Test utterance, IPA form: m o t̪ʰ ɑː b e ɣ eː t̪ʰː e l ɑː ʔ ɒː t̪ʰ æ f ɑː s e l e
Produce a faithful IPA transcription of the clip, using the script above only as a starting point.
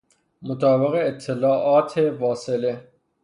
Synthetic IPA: m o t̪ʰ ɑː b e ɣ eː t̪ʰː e l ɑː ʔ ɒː t̪ʰ e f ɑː s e l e

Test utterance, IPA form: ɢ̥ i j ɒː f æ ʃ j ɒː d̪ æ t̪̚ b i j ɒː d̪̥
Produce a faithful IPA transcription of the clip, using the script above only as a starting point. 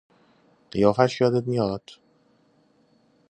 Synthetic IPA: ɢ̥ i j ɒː f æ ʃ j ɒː d̪ e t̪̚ m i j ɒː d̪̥

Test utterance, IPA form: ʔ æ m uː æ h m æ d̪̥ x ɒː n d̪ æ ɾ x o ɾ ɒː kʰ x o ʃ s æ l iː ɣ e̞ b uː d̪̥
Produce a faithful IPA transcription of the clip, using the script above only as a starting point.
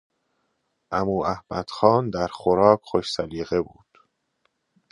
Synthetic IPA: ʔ æ m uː æ h m æ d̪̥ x ɒː n d̪ æ ɾ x o ɾ ɒː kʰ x o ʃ s æ l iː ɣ e̞ b uː d̪̥

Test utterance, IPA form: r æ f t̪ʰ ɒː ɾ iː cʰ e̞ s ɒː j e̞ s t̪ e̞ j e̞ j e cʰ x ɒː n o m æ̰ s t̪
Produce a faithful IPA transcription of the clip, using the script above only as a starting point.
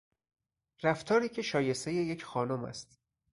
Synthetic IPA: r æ f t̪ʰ ɒː ɾ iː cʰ e̞ ʃ ɒː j e̞ s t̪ e̞ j e̞ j e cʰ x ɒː n o m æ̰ s t̪

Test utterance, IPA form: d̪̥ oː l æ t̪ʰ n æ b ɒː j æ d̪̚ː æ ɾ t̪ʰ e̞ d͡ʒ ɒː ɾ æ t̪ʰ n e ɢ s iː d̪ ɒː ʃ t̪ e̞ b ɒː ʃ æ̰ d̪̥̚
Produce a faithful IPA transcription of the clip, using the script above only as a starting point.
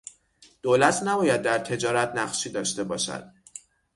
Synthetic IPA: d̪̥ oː l æ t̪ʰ n æ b ɒː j æ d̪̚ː æ ɾ t̪ʰ e̞ d͡ʒ ɒː ɾ æ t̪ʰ n æ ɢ ʃ iː d̪ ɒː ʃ t̪ e̞ b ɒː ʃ æ̰ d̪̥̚

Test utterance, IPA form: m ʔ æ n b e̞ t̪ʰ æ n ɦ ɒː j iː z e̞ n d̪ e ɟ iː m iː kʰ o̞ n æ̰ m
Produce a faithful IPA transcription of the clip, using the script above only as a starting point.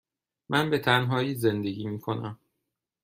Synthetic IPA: m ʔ æ n b e̞ t̪ʰ æ n ɦ ɒː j iː z e̞ n d̪ e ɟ iː m iː kʰ o̞ n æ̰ m

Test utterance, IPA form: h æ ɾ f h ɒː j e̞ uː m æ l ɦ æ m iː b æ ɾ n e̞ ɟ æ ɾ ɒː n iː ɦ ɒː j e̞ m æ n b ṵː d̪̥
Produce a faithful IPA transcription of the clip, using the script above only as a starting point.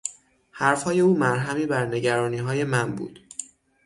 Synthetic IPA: h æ ɾ f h ɒː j e̞ uː m æ ɾ ɦ æ m iː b æ ɾ n e̞ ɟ æ ɾ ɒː n iː ɦ ɒː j e̞ m æ n b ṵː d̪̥

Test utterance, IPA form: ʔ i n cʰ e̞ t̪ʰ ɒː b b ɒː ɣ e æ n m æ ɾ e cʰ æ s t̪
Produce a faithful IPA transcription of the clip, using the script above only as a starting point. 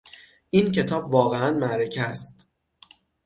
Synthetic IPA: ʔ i n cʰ e̞ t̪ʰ ɒː b v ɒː ɣ e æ n m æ ɾ e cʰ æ s t̪

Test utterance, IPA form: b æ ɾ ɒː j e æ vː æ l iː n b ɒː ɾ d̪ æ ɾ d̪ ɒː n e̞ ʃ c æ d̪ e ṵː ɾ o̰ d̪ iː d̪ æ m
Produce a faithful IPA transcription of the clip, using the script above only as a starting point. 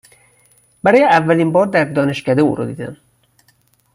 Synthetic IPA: b æ ɾ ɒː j e æ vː æ l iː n b ɒː ɾ d̪ æ ɾ d̪ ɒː n e̞ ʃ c æ d̪ e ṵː ɾ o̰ d̪ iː d̪ æ m

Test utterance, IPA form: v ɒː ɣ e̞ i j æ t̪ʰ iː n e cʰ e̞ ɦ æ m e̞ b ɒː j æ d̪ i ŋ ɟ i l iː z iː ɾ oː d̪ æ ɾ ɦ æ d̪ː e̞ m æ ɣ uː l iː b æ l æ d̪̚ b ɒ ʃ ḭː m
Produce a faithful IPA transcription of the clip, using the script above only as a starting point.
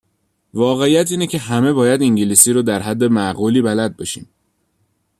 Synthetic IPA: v ɒː ɣ e̞ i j æ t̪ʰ iː n e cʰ e̞ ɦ æ m e̞ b ɒː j æ d̪ i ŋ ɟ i l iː s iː ɾ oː d̪ æ ɾ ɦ æ d̪ː e̞ m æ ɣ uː l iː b æ l æ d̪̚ b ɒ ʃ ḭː m

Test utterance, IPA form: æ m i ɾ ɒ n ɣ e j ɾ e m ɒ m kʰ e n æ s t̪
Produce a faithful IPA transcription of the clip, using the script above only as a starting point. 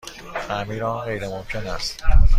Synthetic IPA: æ m i ɾ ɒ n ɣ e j ɾ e m o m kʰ e n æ s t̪

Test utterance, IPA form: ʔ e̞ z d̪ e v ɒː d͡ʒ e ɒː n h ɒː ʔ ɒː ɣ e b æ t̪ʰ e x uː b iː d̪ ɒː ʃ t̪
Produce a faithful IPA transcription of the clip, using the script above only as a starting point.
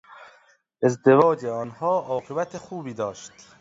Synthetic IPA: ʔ e̞ z d̪ e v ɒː d͡ʒ e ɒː n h ɒː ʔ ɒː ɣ e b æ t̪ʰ e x uː b iː d̪ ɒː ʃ t̪

